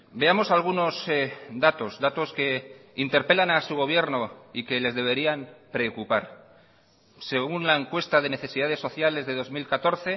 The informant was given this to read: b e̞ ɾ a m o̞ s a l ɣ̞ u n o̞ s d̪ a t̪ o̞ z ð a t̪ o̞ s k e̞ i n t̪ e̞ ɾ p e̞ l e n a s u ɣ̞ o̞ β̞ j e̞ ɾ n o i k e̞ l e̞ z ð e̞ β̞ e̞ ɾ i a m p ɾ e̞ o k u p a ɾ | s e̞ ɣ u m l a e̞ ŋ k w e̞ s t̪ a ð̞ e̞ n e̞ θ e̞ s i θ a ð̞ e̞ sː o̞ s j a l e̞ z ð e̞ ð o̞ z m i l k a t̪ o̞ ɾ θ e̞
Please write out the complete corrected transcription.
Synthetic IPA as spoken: b e̞ a m o̞ s a l ɣ̞ u n o̞ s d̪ a t̪ o̞ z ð a t̪ o̞ s k e̞ i n t̪ e̞ ɾ p e̞ l a n a s u ɣ̞ o̞ β̞ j e̞ ɾ n o i k e̞ l e̞ z ð e̞ β̞ e̞ ɾ i a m p ɾ e̞ o k u p a ɾ | s e̞ ɣ u n l a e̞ ŋ k w e̞ s t̪ a ð̞ e̞ n e̞ θ e̞ s i ð a ð̞ e̞ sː o̞ θ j a l e̞ z ð e̞ ð o̞ z m i l k a t̪ o̞ ɾ θ e̞